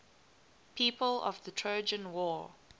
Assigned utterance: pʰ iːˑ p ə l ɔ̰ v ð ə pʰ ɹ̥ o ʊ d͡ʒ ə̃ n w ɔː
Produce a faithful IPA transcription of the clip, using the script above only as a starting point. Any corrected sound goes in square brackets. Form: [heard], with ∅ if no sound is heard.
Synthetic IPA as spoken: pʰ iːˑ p ə l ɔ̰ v ð ə [tʰ] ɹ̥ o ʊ d͡ʒ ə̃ n w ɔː